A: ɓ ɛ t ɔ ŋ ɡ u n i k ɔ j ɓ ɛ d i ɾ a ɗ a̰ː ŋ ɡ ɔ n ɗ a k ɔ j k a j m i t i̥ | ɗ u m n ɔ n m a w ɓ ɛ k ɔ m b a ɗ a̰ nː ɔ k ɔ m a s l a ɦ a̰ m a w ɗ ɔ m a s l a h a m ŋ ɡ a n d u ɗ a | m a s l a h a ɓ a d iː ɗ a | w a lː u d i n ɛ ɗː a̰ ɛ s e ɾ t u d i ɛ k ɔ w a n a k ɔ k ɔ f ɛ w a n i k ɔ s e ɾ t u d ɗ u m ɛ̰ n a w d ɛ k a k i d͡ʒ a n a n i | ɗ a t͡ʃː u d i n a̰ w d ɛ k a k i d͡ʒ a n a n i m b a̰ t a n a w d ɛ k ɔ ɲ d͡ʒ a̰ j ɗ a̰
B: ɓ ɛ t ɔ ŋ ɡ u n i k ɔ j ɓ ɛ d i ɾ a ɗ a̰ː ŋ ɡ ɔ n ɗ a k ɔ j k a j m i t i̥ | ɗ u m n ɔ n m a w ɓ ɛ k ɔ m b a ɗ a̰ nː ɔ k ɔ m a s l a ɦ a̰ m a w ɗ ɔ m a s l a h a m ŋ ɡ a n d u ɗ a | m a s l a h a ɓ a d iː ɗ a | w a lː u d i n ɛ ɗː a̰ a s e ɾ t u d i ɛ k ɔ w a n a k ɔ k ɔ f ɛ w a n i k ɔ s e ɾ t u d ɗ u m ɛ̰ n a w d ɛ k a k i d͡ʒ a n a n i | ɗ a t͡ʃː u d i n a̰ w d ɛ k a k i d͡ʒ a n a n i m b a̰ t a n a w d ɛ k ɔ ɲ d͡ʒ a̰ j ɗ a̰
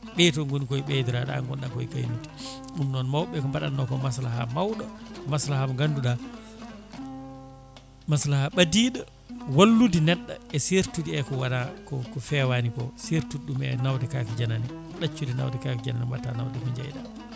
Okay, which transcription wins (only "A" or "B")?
A